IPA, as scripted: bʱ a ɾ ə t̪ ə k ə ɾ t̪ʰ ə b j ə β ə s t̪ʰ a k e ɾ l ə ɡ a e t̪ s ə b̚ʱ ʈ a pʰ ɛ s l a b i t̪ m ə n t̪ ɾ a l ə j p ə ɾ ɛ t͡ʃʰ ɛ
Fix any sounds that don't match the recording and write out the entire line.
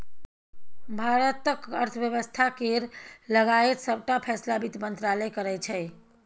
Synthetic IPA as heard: bʱ a ɾ ə t̪ ə k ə ɾ t̪ʰ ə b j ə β ə s t̪ʰ a k e ɾ l ə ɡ a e t̪ s ə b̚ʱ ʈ a pʰ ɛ s l a b i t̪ m ə n t̪ ɾ a l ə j k ə ɾ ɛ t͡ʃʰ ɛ